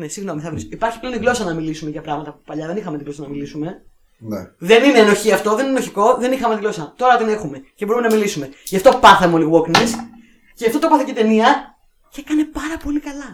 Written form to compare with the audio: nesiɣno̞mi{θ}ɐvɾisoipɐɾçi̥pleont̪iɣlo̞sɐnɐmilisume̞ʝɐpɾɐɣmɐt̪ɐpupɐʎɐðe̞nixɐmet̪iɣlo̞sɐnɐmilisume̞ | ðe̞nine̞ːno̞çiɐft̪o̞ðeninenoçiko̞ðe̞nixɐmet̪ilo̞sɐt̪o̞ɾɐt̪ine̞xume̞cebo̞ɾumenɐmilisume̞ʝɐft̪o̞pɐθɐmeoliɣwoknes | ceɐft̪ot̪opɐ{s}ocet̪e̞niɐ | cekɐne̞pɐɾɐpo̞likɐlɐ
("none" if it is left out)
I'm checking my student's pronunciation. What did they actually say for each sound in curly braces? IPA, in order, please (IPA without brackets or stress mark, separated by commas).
θ, θ